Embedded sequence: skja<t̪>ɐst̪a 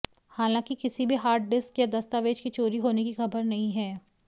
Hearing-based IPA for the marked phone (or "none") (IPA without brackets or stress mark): d̪